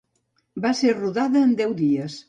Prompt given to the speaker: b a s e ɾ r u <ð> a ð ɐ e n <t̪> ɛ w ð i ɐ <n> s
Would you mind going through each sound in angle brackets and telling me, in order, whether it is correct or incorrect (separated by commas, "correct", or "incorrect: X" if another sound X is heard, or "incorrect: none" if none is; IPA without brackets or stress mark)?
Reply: correct, incorrect: d̪, incorrect: none